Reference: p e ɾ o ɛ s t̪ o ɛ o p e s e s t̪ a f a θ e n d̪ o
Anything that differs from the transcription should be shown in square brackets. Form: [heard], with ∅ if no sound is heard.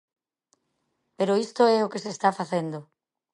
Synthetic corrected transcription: p e ɾ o [i] s t̪ o ɛ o [k] e s e s t̪ a f a θ e n d̪ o